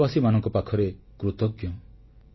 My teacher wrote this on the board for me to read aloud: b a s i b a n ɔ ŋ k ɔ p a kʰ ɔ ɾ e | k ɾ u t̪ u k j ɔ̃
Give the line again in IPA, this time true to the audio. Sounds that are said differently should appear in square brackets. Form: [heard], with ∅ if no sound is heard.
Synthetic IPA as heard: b a s i [m] a n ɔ ŋ k ɔ p a kʰ ɔ ɾ e | k ɾ u t̪ [ɔ] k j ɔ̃